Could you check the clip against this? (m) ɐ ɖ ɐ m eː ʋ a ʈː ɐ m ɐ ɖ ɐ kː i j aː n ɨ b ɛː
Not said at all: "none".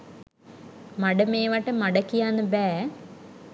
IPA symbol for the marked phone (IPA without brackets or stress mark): m